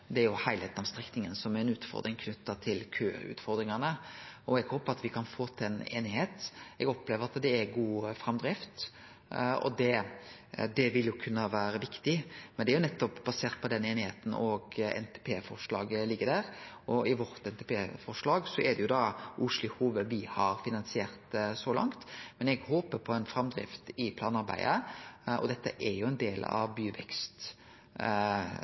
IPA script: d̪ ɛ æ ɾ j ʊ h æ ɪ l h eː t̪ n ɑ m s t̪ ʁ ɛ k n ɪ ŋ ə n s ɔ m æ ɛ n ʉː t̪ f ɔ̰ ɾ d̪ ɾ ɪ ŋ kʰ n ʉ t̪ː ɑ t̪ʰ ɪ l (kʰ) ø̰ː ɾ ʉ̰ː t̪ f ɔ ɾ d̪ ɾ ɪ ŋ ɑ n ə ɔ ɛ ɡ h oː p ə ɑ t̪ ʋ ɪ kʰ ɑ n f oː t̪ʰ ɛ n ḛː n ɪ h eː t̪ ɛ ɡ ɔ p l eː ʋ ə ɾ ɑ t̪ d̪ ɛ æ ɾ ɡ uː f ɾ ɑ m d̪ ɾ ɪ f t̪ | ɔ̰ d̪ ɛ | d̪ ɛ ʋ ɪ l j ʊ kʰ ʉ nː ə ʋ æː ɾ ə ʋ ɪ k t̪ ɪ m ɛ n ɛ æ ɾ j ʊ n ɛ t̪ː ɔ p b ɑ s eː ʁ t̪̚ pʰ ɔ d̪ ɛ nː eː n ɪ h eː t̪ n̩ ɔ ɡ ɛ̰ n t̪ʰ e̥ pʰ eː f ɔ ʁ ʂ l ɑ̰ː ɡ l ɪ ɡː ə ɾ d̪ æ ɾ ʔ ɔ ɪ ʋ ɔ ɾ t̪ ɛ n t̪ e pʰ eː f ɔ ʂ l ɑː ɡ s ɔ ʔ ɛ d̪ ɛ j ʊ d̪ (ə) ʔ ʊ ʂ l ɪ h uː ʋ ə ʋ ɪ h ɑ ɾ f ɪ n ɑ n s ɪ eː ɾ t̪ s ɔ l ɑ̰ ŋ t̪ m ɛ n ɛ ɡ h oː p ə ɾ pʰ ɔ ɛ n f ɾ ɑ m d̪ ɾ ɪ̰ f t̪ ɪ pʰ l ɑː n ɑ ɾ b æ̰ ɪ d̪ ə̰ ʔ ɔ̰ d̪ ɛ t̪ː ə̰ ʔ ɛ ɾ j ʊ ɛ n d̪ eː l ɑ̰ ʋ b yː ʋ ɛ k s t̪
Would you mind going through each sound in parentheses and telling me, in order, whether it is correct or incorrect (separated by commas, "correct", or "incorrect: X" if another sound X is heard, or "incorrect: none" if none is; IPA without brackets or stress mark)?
correct, incorrect: ɑ